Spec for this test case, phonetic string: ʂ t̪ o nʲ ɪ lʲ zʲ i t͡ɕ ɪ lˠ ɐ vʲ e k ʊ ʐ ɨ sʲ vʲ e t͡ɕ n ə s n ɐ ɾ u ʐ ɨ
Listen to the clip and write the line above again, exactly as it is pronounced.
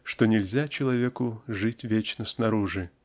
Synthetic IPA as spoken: ʂ t̪ o nʲ ɪ lʲ zʲ a t͡ɕ ɪ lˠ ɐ vʲ e k ʊ ʐ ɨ tʲ vʲ e t͡ɕ n ə s n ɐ ɾ u ʐ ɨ